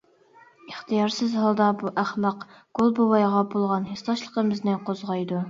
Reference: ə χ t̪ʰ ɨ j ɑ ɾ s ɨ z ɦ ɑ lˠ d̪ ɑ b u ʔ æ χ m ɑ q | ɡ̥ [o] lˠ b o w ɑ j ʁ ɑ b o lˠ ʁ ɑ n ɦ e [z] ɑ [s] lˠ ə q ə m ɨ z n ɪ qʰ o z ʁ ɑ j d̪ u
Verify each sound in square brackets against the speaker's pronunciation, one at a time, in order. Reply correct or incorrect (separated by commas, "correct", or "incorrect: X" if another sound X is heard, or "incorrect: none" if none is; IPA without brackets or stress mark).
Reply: correct, incorrect: s, incorrect: ʃ